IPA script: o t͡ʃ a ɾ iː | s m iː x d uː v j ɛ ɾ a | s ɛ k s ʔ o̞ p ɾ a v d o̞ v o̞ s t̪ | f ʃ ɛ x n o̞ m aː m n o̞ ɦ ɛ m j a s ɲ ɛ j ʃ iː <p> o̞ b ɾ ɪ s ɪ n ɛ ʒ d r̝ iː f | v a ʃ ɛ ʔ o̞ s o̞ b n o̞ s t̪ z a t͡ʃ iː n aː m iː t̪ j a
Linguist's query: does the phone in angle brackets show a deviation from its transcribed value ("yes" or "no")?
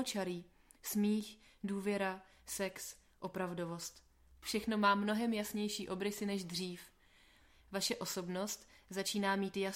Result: yes